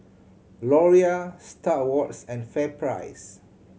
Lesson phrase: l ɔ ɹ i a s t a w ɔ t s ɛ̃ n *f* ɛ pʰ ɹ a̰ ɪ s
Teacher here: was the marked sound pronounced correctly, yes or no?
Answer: yes